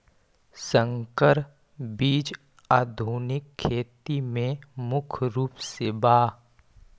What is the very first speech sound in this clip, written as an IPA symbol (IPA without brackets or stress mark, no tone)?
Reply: s